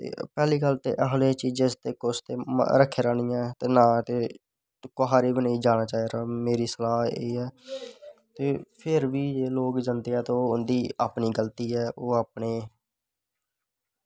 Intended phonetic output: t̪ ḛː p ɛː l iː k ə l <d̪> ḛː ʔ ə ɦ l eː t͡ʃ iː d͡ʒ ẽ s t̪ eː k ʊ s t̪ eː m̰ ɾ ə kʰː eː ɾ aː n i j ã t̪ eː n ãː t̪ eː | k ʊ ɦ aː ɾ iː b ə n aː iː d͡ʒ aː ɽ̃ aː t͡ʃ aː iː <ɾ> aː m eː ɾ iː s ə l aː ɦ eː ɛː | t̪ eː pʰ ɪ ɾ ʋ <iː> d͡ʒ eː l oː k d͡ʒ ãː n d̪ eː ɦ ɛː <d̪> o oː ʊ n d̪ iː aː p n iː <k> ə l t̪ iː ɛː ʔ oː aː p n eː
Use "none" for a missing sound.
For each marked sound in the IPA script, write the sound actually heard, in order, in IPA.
t̪, ɾ, iː, t̪, ɡ

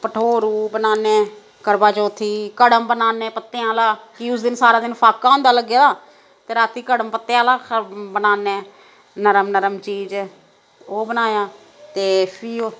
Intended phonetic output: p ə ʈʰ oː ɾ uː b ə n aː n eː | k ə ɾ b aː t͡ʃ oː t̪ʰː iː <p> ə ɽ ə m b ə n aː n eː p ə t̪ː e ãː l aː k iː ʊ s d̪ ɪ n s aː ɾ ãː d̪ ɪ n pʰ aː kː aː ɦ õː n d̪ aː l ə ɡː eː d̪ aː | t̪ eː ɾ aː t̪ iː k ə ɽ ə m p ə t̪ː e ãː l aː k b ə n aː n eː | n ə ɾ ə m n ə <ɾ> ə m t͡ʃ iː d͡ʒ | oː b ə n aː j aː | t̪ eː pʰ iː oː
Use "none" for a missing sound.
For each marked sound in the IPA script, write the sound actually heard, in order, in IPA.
k, ɾ

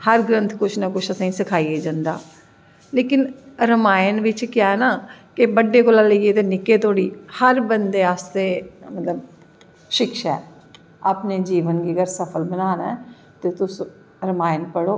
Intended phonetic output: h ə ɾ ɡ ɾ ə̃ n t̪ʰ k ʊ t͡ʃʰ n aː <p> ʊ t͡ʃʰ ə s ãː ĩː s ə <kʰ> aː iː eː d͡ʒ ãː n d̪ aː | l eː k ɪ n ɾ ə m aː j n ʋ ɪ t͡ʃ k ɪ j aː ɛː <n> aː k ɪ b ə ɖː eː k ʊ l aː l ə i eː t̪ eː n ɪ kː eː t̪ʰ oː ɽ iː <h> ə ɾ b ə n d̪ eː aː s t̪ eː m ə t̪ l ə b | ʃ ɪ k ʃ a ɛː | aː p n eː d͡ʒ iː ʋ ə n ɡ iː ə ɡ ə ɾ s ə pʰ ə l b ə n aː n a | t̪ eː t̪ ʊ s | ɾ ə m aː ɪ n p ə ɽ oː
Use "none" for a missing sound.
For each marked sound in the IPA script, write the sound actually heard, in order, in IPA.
k, kʰ, n, h

